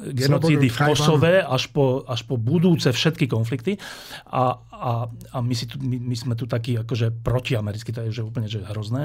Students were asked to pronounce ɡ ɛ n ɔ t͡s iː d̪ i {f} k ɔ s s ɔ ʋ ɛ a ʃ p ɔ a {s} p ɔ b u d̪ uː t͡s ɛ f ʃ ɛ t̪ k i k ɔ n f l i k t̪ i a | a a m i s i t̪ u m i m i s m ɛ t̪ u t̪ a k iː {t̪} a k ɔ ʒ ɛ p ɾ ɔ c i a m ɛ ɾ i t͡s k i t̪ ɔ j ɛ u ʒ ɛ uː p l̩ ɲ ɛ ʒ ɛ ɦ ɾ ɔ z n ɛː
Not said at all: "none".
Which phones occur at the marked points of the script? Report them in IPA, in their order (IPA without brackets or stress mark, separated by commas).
f, ʃ, none